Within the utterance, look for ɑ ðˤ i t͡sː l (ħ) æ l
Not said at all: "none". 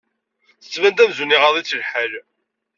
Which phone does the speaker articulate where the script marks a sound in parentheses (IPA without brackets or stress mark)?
ħ